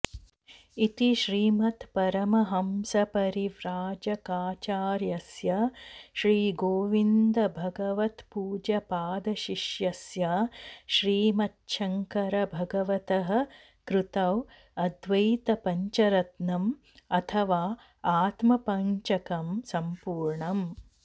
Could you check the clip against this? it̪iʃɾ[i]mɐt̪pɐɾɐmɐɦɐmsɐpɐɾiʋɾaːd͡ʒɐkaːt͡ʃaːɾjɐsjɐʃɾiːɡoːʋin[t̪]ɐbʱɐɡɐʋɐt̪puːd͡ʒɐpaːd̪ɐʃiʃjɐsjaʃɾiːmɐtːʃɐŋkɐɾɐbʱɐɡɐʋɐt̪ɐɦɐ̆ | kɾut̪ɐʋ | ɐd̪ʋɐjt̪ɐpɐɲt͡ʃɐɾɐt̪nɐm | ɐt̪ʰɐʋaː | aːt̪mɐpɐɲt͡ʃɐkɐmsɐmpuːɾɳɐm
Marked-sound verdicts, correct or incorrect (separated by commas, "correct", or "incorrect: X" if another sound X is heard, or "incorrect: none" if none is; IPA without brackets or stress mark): incorrect: iː, incorrect: d̪